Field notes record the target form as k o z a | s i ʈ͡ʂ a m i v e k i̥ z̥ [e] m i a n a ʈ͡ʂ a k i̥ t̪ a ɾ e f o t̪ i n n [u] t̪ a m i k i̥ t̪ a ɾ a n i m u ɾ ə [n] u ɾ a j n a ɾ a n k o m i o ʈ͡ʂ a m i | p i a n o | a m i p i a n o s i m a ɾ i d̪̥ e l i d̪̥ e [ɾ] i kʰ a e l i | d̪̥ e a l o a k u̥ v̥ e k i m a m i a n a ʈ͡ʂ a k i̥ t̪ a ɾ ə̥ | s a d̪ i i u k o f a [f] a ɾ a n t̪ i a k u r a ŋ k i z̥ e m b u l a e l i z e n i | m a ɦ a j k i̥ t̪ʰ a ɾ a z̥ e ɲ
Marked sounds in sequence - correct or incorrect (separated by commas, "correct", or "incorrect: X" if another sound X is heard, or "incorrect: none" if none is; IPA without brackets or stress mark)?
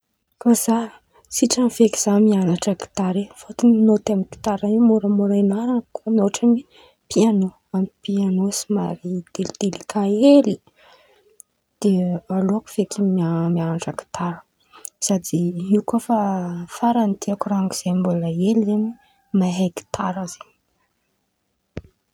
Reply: incorrect: a, incorrect: o, incorrect: m, incorrect: l, correct